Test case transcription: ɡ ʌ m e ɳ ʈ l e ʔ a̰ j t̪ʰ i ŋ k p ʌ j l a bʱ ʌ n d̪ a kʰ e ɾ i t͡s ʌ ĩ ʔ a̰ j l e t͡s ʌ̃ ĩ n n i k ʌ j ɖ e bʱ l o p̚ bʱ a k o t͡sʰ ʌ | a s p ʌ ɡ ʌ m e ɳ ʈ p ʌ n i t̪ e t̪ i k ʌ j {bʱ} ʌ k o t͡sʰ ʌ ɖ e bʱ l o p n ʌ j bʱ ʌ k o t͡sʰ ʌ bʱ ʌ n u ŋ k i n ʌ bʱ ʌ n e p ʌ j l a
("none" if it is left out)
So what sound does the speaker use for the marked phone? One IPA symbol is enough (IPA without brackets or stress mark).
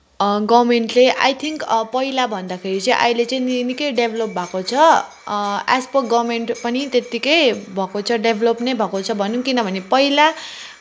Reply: bʱ